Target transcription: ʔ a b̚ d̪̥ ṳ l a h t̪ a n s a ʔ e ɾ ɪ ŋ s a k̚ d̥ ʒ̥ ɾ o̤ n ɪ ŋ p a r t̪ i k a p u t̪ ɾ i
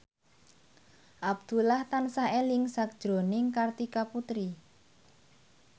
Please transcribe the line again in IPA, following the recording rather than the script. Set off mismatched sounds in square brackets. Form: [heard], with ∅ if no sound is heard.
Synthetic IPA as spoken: ʔ a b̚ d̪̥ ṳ l a h t̪ a n s a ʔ e [l] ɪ ŋ s a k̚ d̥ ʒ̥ ɾ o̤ n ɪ ŋ [k] a r t̪ i k a p u t̪ ɾ i